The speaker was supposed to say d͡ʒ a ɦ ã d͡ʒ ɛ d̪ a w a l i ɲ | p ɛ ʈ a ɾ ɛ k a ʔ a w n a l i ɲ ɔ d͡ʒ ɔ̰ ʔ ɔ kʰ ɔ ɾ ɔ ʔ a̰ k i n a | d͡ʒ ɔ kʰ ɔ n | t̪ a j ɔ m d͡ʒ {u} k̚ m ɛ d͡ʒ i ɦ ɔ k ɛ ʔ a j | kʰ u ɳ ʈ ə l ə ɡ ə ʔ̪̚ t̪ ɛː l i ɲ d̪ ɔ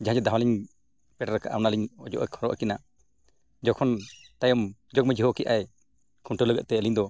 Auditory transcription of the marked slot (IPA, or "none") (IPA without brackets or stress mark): ɔ